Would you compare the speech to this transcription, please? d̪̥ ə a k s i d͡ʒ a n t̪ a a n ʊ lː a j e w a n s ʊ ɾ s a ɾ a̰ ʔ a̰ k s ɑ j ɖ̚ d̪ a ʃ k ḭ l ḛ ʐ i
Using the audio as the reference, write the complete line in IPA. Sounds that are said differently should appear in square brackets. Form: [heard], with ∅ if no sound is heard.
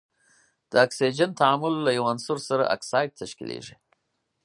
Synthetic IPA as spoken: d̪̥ ə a k s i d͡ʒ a n t̪ a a [m] ʊ lː a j [a] w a n s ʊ ɾ s a ɾ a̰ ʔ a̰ k s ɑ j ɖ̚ [t̪] a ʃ k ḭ l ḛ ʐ i